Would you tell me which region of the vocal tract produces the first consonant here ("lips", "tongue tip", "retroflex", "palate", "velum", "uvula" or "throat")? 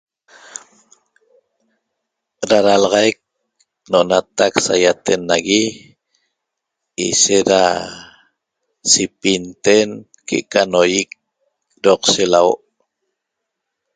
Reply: tongue tip